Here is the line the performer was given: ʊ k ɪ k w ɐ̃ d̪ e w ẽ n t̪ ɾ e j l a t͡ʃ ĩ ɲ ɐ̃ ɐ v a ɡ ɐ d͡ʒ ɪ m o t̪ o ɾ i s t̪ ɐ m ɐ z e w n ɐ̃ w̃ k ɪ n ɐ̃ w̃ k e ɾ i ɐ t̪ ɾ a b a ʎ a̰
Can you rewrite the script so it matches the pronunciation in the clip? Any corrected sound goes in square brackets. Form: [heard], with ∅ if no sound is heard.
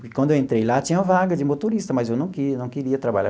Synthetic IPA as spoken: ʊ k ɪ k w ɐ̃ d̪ e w ẽ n t̪ ɾ e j l a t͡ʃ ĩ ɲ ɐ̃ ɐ v a ɡ ɐ d͡ʒ ɪ m o t̪ o ɾ i s t̪ ɐ m ɐ z e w n ɐ̃ w̃ k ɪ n ɐ̃ w̃ k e ɾ i ɐ t̪ ɾ a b a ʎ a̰